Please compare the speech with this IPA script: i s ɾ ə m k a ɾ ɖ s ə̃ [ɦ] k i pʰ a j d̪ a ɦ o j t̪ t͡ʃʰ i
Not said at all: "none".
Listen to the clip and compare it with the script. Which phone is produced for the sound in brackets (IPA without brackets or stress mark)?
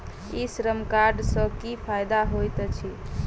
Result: none